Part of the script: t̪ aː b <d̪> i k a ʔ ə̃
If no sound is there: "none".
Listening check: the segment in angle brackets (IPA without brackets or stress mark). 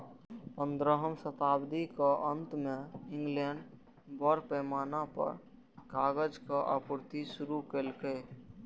d̪